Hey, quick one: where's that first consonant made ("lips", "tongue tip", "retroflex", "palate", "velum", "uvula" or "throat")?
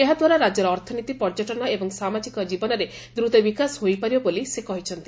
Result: throat